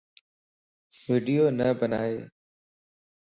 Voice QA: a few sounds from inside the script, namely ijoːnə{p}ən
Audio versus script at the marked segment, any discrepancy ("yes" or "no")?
yes